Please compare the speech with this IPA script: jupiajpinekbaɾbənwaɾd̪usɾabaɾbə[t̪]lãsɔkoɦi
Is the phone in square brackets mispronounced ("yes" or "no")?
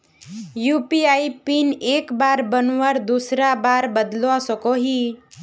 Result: yes